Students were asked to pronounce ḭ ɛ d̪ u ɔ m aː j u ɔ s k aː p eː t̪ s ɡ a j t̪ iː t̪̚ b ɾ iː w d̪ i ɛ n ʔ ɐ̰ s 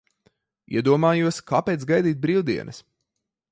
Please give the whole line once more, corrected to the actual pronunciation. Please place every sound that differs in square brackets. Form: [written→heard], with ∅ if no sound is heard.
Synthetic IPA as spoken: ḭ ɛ d̪ u ɔ m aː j u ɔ s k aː p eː t̪ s ɡ a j [t̪→d̪] iː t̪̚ b ɾ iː w d̪ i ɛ n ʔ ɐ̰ s